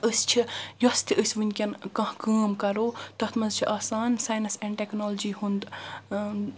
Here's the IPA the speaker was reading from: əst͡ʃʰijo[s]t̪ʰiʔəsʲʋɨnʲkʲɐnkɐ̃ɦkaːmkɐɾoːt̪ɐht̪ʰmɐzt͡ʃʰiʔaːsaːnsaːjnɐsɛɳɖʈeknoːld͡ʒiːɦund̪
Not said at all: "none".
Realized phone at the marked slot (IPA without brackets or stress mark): s